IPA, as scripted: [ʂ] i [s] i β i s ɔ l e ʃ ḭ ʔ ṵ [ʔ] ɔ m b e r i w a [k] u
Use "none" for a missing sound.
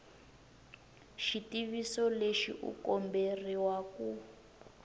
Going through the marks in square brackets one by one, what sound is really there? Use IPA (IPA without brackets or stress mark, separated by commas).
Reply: ʃ, t, k, k